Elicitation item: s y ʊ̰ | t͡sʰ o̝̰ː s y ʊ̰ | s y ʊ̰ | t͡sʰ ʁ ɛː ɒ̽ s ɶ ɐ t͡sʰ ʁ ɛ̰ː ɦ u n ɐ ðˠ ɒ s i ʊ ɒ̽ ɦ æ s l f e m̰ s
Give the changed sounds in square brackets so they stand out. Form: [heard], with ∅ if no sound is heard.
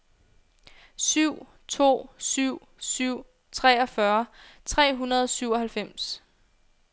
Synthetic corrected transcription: s y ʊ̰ | t͡sʰ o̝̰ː s y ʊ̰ | s y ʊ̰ | t͡sʰ ʁ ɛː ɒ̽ [f] ɶ ɐ t͡sʰ ʁ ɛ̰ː ɦ u n ɐ ðˠ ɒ s [y] ʊ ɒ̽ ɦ æ [∅] l f e m̰ s